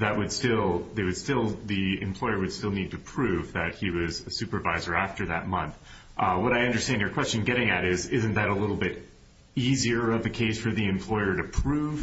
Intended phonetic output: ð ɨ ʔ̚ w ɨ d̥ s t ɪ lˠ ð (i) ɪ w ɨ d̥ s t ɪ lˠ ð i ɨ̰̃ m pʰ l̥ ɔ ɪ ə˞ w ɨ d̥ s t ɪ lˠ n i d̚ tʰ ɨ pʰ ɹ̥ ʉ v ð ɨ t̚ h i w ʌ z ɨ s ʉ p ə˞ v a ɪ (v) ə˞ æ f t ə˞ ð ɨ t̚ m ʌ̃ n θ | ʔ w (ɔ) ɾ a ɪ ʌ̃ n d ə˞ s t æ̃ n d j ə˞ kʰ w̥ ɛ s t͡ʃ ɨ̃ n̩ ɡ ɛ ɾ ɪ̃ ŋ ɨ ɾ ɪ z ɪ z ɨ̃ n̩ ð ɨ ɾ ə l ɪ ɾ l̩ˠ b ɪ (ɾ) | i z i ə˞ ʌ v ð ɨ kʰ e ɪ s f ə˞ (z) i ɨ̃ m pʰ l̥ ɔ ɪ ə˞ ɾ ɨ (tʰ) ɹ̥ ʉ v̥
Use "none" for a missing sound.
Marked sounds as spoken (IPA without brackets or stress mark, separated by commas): e, z, ʌ, ɾ, ð, pʰ